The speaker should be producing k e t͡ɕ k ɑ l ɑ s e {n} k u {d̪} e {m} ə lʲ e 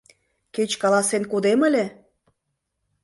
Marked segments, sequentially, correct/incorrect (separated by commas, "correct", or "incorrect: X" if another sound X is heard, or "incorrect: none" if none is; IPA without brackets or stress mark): correct, correct, correct